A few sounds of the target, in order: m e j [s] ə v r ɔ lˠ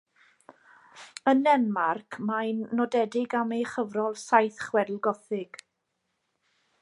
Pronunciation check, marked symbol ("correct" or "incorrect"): incorrect